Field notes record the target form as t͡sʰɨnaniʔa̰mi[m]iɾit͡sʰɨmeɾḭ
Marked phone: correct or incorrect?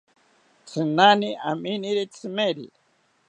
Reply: incorrect: n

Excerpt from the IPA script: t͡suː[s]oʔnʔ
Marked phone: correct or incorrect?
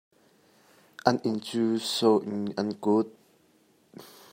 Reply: correct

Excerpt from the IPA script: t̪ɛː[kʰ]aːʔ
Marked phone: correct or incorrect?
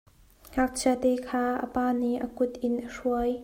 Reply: correct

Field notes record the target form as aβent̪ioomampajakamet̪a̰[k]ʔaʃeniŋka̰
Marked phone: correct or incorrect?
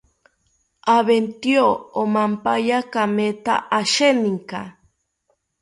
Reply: incorrect: none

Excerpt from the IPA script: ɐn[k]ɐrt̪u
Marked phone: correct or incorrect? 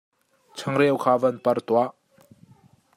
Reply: incorrect: p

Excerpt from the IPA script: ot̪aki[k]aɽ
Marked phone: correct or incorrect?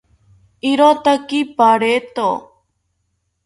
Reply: incorrect: p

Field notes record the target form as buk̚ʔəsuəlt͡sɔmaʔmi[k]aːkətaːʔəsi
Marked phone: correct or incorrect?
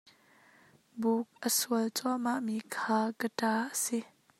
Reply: incorrect: kʰ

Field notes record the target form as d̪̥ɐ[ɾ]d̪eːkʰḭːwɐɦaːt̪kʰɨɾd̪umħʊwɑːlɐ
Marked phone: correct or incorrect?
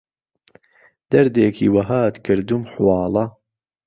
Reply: correct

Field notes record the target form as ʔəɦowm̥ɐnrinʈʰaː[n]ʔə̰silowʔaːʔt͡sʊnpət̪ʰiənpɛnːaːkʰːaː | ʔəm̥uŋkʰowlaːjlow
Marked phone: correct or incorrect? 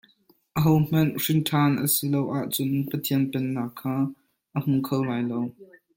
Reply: correct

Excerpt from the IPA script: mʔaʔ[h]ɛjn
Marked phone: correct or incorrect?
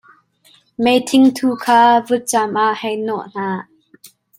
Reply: correct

